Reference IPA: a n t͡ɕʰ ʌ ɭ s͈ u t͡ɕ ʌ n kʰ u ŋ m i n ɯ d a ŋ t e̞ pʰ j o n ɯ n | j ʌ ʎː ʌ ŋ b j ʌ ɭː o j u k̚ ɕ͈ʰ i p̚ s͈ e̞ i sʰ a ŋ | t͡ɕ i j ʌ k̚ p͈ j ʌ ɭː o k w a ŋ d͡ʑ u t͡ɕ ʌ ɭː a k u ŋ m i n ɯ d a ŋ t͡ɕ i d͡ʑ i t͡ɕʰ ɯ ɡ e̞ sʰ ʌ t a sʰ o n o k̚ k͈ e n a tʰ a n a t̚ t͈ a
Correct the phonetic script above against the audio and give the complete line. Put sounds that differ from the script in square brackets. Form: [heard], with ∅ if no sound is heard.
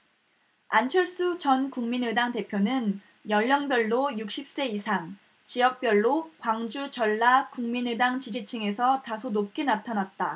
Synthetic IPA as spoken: a n t͡ɕʰ ʌ ɭ s͈ u t͡ɕ ʌ n [k] u ŋ m i n ɯ d a ŋ t e̞ pʰ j o n ɯ n | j ʌ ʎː ʌ ŋ b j ʌ ɭː o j u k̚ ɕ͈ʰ i p̚ s͈ e̞ i sʰ a ŋ | t͡ɕ i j ʌ k̚ p͈ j ʌ ɭː o k w a ŋ d͡ʑ u t͡ɕ ʌ ɭː a k u ŋ m i n ɯ d a ŋ t͡ɕ i d͡ʑ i t͡ɕʰ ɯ [ŋ] e̞ sʰ ʌ t a sʰ o n o [p̚] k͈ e n a tʰ a n a t̚ t͈ a